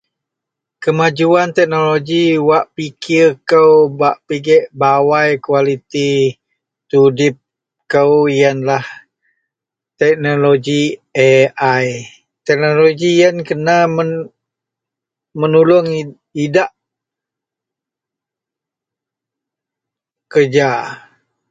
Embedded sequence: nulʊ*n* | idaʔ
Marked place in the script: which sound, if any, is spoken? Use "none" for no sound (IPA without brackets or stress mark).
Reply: ŋ